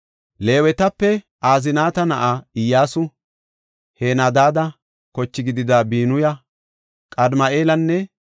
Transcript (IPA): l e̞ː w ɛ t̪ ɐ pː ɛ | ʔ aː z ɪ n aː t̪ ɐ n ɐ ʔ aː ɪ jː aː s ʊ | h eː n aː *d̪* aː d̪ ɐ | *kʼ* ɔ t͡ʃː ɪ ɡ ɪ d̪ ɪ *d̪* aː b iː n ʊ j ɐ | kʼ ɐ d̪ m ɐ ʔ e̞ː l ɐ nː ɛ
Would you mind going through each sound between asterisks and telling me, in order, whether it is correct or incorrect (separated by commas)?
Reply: correct, incorrect, correct